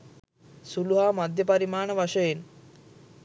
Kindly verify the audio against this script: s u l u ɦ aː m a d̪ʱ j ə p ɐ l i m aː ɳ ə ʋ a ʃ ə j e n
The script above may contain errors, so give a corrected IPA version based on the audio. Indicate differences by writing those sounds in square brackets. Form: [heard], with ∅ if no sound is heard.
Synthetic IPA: s u l u ɦ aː m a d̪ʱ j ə p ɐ [ɾ] i m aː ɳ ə ʋ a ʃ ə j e n